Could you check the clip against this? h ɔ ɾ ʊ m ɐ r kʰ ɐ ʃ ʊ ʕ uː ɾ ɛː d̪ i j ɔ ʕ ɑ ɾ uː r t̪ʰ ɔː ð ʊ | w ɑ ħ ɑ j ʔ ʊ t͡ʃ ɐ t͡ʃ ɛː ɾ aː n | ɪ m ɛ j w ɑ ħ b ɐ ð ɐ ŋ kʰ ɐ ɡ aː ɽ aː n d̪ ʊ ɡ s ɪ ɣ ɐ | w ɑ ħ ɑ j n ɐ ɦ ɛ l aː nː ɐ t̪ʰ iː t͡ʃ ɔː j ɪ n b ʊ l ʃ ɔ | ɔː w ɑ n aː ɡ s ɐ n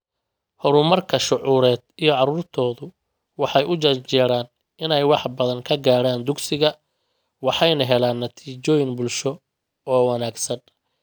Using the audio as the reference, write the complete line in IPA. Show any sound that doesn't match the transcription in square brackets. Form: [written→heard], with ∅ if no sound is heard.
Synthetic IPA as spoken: h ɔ ɾ ʊ m ɐ r kʰ ɐ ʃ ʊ ʕ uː ɾ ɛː d̪ i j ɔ ʕ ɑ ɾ uː r t̪ʰ ɔː ð ʊ | w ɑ ħ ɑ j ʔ ʊ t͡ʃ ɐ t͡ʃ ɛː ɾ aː n | ɪ [m→n] ɛ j w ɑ ħ b ɐ ð ɐ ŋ kʰ ɐ ɡ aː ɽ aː n d̪ ʊ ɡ s ɪ ɣ ɐ | w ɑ ħ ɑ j n ɐ ɦ ɛ l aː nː ɐ t̪ʰ iː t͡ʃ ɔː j ɪ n b ʊ l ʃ ɔ | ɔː w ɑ n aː ɡ s ɐ n